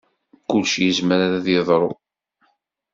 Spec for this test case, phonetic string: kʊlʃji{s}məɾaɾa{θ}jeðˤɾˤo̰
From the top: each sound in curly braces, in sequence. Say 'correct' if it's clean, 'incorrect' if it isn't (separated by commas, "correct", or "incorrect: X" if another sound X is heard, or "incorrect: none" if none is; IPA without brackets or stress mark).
incorrect: z, incorrect: ð